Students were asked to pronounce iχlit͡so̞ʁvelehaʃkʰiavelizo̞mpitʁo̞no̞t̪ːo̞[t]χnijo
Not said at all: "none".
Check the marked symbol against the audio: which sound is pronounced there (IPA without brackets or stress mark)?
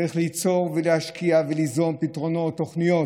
none